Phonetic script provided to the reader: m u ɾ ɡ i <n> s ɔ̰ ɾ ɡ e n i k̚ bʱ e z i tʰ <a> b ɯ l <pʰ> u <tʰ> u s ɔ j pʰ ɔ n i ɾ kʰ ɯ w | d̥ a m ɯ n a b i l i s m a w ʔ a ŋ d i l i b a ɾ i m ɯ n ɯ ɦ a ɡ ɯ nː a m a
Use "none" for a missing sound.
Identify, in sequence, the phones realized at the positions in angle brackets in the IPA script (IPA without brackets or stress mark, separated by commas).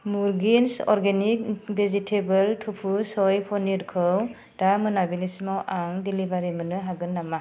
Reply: n, e, tʰ, pʰ